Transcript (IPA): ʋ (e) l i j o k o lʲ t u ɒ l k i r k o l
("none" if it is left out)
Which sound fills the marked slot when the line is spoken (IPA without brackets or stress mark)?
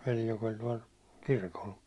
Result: e